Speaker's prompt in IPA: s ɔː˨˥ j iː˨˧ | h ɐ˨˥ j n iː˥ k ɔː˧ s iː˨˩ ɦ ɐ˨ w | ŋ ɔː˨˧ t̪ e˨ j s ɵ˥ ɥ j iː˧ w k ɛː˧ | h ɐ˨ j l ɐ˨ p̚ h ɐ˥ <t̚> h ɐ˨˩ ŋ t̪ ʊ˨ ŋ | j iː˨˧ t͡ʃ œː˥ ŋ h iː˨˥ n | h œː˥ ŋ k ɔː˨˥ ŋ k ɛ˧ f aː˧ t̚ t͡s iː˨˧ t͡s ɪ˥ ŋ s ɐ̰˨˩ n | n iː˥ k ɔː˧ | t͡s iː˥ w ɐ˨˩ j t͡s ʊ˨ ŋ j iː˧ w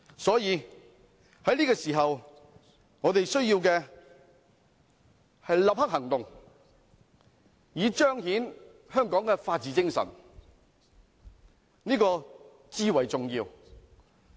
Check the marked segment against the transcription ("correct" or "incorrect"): incorrect